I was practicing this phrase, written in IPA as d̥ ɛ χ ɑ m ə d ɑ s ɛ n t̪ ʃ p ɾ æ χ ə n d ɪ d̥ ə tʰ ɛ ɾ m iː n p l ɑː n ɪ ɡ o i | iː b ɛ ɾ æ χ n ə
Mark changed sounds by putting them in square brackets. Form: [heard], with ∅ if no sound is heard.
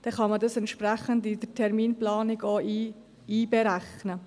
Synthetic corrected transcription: d̥ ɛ χ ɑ m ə d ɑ s ɛ n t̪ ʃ p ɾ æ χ ə n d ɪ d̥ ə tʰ ɛ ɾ m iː n p l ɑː n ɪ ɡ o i | iː b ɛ ɾ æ χ n ə